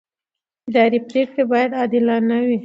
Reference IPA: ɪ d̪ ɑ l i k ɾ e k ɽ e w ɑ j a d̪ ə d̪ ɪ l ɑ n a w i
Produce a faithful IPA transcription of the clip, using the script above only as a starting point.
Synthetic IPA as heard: ɪ d̪ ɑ ɾ i p ɾ e k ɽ e b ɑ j a d̪ ɑ d̪ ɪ l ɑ n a w i